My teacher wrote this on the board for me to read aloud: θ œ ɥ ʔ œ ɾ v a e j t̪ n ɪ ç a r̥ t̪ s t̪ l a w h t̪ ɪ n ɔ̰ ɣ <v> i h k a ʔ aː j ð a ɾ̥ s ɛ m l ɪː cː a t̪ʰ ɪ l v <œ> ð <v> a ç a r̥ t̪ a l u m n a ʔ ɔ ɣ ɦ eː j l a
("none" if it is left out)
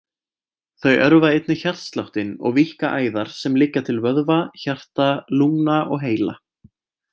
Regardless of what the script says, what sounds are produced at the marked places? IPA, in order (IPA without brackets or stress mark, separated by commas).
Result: v, œ, v